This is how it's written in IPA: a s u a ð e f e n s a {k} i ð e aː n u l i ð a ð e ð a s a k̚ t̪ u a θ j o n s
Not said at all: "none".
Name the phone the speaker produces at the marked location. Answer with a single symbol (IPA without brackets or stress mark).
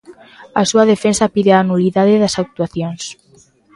p